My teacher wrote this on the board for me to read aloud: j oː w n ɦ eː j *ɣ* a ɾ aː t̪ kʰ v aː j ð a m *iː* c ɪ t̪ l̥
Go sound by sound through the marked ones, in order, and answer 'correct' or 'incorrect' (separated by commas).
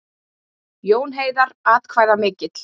incorrect, incorrect